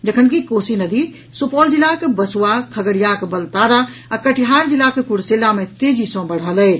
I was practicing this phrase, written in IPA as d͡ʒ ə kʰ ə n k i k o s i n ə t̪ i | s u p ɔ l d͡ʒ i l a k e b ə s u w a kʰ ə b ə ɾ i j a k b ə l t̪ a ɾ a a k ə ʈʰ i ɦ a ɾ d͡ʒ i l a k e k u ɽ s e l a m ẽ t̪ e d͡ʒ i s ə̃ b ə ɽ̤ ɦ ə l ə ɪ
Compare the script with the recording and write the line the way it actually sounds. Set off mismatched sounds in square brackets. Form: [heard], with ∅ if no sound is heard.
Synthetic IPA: d͡ʒ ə kʰ ə n k i k o s i n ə [d̪] i | s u p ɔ l d͡ʒ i l a k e b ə s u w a kʰ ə [ɡ] ə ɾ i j a k b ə l t̪ a ɾ a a k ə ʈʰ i ɦ a ɾ d͡ʒ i l a k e k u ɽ s e l a m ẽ t̪ e d͡ʒ i s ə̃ b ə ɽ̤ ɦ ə l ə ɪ